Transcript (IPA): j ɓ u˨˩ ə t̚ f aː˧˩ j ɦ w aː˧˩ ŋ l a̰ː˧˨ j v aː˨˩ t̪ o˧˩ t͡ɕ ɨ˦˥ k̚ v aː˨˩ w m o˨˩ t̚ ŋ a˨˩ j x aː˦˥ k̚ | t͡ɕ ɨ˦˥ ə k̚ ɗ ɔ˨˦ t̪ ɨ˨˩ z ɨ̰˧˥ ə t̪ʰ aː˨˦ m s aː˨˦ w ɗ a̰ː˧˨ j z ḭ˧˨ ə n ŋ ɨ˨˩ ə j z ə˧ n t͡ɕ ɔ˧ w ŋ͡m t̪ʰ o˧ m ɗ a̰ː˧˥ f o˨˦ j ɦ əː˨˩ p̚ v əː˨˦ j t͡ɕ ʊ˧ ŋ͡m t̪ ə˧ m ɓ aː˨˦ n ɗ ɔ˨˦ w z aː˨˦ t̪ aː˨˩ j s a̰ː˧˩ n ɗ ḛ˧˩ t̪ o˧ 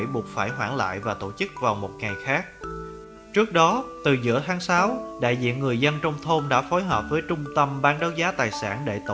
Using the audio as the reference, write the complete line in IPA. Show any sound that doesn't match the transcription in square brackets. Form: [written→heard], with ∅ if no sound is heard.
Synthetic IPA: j ɓ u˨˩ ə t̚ f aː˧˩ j ɦ w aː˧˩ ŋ l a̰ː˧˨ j v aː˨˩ t̪ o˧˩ t͡ɕ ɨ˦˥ k̚ v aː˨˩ w m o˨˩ t̚ ŋ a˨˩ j x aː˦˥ k̚ | t͡ɕ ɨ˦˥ ə k̚ ɗ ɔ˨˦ t̪ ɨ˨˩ z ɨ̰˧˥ ə t̪ʰ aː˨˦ [m→ŋ] s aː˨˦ w ɗ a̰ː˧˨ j z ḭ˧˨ ə n ŋ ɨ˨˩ ə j z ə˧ n t͡ɕ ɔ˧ w ŋ͡m t̪ʰ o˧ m ɗ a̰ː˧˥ f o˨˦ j ɦ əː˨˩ p̚ v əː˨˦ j t͡ɕ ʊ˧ ŋ͡m t̪ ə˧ m ɓ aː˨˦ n ɗ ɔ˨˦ w z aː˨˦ t̪ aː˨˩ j s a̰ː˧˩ n ɗ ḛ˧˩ t̪ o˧